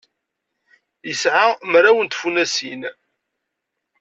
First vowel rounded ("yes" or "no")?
no